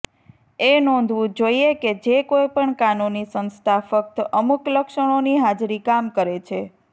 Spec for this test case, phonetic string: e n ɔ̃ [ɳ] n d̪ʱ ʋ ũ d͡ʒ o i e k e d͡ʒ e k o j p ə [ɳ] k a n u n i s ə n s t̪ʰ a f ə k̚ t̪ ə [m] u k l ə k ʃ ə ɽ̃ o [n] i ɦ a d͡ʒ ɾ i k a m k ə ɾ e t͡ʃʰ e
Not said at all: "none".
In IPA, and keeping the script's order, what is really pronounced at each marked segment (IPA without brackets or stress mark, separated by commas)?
none, ɳ, m, n